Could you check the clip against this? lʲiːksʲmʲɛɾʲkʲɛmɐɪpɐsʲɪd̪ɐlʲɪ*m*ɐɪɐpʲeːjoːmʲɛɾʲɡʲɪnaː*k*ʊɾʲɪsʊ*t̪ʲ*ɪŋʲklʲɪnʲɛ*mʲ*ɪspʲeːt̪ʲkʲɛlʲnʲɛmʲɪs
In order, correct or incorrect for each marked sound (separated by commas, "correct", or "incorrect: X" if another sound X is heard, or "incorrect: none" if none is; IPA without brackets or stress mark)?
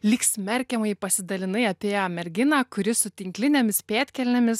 incorrect: n, correct, correct, correct